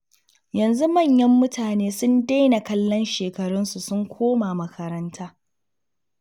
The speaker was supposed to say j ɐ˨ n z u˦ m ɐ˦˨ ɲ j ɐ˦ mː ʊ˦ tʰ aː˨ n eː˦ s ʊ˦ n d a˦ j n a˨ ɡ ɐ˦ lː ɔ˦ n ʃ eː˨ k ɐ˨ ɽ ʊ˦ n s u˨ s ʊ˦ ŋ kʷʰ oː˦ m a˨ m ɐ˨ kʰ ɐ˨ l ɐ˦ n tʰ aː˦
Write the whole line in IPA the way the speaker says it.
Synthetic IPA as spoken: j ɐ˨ n z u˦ m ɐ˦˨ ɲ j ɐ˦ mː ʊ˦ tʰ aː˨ n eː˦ s ʊ˦ n d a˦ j n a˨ k ɐ˦ lː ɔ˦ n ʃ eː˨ k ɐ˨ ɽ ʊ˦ n s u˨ s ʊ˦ ŋ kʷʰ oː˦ m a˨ m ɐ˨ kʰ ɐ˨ ɾ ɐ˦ n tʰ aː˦